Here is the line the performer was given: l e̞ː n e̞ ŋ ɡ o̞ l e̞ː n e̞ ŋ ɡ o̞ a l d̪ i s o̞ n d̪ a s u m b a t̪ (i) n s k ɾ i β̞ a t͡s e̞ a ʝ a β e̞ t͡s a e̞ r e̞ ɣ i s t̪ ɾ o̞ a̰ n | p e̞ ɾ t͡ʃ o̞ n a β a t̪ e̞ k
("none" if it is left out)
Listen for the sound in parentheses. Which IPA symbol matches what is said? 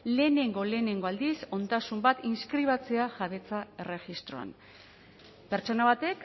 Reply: i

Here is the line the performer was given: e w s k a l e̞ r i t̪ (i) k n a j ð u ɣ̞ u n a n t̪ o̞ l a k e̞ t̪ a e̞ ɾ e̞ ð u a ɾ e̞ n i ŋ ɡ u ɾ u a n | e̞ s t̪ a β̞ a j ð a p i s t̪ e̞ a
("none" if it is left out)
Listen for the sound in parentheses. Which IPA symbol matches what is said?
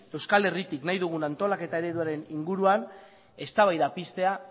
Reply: i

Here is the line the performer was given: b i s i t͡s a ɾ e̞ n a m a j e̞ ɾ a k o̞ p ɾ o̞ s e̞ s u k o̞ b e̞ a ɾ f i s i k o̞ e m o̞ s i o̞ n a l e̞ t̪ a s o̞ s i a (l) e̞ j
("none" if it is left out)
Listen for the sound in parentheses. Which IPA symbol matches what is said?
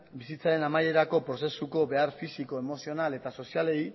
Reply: l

